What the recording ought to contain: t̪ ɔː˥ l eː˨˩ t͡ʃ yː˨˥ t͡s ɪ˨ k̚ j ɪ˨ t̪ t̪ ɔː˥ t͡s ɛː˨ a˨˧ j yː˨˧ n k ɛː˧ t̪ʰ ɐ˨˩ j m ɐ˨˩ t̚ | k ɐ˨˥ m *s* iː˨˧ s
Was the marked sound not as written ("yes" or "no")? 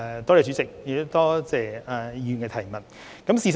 no